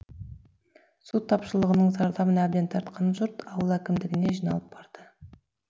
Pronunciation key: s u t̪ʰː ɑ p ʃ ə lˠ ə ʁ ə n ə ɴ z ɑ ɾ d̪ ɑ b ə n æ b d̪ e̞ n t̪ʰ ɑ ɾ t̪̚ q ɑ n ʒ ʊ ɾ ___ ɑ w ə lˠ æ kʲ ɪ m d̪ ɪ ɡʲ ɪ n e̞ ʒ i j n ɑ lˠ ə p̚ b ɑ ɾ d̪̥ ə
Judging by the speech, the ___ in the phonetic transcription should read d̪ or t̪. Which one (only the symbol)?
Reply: t̪